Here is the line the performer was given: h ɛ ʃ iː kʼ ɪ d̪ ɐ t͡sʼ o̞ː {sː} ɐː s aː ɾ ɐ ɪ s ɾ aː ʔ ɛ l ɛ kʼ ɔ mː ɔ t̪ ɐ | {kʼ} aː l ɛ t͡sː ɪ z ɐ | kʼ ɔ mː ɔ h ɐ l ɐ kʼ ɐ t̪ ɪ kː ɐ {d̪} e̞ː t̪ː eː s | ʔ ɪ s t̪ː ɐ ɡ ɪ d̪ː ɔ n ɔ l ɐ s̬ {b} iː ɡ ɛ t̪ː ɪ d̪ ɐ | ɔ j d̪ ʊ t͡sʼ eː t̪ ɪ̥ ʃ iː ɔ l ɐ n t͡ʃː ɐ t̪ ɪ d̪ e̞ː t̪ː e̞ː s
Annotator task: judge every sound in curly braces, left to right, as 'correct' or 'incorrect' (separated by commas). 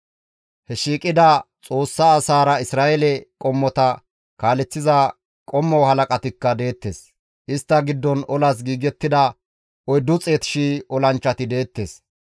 correct, incorrect, correct, incorrect